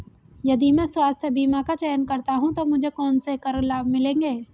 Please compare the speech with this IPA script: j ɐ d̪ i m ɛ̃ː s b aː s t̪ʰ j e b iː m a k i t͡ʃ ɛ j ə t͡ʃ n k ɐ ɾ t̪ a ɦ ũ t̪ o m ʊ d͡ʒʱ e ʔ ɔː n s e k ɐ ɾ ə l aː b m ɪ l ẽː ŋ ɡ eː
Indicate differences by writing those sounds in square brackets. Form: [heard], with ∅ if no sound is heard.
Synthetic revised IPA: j ɐ d̪ i m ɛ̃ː s [w] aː s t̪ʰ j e b iː m a k [a] t͡ʃ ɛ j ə [∅] n k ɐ ɾ t̪ a ɦ ũ t̪ o m ʊ d͡ʒʱ e [k] ɔː n s e k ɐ ɾ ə l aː b m ɪ l ẽː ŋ ɡ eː